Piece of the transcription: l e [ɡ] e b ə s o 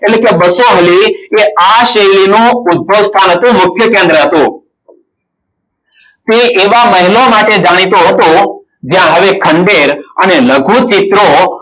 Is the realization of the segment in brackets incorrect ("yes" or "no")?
yes